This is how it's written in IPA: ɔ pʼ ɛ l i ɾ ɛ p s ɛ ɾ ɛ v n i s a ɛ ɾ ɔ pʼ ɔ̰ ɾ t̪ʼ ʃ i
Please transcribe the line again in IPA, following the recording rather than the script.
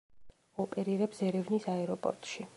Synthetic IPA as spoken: ɔ pʼ ɛ ɾ i ɾ ɛ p s ɛ ɾ ɛ v n i s a ɛ ɾ ɔ pʼ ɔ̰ ɾ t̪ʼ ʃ i